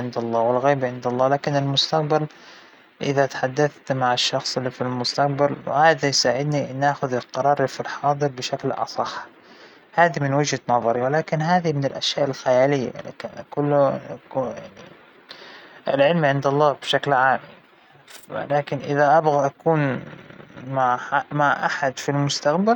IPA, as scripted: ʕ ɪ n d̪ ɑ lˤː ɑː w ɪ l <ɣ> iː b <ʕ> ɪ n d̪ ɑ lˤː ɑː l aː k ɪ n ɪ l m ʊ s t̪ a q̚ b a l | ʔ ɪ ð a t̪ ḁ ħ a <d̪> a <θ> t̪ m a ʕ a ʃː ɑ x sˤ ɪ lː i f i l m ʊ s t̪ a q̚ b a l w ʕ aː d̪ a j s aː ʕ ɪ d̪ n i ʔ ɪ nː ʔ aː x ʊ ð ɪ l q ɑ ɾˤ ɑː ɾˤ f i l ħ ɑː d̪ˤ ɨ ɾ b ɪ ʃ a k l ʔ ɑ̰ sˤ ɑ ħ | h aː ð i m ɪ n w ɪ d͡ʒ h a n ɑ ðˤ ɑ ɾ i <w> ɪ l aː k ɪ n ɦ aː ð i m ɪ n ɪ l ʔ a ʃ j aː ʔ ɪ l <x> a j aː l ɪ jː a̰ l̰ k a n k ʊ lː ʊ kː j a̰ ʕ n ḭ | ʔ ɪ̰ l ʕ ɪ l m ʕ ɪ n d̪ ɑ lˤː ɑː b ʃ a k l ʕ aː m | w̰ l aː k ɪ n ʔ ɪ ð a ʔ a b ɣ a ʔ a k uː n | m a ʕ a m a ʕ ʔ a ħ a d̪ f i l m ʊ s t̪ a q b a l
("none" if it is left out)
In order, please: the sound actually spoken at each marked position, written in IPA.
ɣ, ʕ, d̪ː, θ, w, x

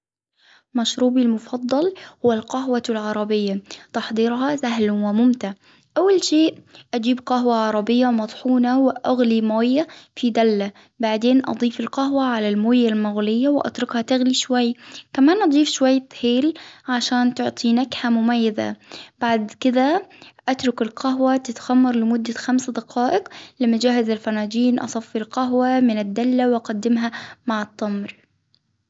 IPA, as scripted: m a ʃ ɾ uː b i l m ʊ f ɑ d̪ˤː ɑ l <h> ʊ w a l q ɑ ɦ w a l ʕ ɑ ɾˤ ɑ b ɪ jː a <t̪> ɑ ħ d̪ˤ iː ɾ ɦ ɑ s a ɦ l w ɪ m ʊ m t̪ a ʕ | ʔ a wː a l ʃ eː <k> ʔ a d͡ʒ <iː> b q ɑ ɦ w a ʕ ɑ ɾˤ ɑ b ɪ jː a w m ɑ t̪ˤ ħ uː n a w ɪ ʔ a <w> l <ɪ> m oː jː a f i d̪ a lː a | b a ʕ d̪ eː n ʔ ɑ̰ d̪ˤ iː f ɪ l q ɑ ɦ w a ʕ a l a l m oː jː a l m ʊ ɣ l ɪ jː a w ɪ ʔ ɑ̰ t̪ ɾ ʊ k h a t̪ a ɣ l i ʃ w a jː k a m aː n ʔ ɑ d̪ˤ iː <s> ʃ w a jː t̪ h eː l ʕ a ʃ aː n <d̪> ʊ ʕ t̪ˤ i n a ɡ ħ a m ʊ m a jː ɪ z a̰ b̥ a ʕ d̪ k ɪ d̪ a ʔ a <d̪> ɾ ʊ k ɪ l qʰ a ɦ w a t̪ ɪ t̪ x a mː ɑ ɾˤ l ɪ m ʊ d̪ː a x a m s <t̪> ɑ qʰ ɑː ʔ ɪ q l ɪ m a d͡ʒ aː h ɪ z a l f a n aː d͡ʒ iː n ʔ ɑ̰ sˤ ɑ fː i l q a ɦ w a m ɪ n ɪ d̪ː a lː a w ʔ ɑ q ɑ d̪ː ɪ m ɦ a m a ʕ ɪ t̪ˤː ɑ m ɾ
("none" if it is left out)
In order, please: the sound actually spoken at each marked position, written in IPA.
h, t̪, ʔ, iː, ɣ, i, f, t̪, t̪, d̪

